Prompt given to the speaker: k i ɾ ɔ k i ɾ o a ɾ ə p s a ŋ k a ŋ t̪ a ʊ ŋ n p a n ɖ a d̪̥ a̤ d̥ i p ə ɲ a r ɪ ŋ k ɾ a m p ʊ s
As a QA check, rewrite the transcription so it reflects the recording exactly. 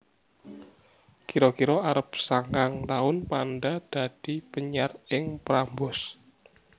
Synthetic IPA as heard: k i ɾ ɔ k i ɾ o a ɾ ə p s a ŋ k a ŋ t̪ a ʊ n p a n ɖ a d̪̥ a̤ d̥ i p ə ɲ a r ɪ ŋ p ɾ a m b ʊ s